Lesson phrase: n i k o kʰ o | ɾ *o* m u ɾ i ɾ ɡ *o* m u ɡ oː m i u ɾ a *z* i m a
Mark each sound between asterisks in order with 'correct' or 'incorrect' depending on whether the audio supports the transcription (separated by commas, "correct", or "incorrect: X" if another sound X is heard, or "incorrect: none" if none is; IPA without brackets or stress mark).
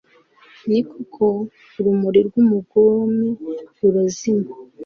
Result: incorrect: u, incorrect: u, correct